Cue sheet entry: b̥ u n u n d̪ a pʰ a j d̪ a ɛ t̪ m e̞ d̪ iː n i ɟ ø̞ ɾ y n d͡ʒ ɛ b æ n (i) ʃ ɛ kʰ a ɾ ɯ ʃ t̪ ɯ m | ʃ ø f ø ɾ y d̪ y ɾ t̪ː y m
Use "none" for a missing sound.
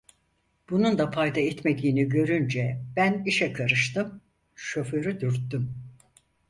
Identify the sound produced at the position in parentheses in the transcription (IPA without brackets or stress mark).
i